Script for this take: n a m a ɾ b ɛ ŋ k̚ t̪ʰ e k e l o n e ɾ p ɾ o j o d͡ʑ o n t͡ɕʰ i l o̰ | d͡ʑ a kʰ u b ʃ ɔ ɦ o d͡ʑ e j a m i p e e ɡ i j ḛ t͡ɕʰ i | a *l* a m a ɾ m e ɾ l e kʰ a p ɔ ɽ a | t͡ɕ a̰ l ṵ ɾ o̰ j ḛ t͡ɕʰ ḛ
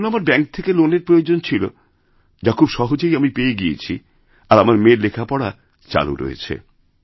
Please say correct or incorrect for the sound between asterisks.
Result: incorrect